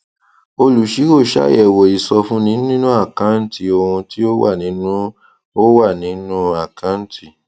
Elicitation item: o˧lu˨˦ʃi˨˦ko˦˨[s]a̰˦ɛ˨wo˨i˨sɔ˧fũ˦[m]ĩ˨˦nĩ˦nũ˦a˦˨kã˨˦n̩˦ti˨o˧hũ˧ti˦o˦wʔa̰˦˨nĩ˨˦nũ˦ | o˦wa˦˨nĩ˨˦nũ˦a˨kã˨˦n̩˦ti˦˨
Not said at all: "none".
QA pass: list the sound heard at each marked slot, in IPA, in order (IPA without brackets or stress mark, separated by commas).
ʃ, n